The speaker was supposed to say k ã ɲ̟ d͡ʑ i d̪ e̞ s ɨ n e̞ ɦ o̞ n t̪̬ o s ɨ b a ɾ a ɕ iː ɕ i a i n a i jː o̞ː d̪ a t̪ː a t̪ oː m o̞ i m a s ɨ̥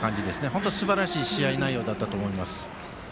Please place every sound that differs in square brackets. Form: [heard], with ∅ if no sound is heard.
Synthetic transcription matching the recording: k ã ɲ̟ d͡ʑ i d̪ e̞ s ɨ n e̞ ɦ o̞ n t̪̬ o s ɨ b a ɾ a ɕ iː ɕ i a i n a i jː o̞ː d̪ a t̪ː a t̪ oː m o̞ i m a s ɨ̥